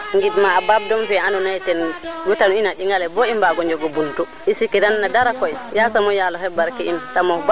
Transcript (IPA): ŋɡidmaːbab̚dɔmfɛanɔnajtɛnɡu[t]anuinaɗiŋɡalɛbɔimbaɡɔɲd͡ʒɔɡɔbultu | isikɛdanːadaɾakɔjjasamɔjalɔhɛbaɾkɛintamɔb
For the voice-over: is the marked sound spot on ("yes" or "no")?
yes